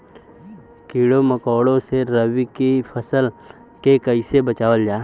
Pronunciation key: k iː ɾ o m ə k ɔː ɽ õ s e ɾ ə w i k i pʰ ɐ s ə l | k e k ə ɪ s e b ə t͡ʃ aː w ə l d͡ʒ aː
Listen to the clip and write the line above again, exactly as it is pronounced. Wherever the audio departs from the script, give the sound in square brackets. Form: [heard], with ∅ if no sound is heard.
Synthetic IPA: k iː [ɽ] o m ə k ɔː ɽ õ s e ɾ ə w i k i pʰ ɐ s ə l | k e k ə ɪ s e b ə t͡ʃ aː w ə l d͡ʒ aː